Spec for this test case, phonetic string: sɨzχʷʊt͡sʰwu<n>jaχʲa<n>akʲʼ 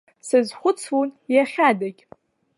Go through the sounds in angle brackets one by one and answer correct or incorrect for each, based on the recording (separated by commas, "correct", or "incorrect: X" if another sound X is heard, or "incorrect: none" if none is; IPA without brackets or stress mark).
correct, incorrect: d